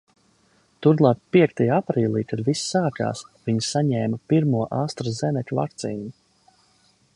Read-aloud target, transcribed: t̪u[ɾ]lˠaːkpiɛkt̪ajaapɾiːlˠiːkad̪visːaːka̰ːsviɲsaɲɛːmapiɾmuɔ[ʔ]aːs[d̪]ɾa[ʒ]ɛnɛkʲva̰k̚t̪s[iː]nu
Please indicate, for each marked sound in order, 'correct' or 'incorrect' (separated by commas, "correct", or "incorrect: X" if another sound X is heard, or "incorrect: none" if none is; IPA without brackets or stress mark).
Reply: correct, correct, incorrect: t̪, incorrect: z, correct